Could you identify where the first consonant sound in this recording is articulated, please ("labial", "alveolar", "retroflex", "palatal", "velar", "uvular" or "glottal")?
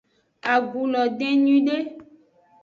velar